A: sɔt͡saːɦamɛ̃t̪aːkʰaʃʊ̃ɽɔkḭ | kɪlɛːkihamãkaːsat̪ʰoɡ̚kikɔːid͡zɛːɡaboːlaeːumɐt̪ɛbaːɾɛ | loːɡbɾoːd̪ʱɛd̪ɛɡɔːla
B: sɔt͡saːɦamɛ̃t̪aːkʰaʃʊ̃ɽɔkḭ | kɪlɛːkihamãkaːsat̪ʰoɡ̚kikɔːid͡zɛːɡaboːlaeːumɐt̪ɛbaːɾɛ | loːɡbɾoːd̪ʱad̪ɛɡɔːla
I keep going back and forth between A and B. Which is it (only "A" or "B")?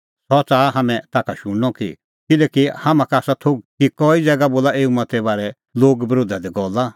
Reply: B